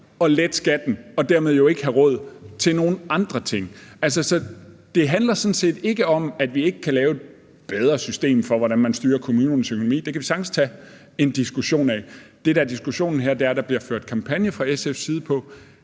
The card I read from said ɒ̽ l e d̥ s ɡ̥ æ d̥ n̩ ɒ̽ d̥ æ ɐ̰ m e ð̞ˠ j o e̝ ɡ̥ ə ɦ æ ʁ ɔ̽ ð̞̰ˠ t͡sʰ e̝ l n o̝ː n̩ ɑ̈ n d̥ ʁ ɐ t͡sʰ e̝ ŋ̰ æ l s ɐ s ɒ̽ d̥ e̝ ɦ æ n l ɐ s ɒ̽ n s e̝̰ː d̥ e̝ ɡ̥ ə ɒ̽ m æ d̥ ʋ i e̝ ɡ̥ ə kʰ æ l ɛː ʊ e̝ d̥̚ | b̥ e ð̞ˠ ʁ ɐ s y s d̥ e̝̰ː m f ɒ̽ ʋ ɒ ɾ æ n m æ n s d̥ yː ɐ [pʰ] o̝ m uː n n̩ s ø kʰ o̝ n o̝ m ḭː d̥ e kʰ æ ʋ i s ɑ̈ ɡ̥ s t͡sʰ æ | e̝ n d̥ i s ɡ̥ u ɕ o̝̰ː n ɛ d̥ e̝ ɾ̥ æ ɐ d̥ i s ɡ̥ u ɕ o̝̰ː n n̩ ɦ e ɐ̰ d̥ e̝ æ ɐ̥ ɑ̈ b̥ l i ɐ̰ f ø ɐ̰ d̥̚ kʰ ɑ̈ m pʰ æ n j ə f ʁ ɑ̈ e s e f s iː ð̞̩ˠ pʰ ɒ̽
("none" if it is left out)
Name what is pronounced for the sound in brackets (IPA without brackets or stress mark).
kʰ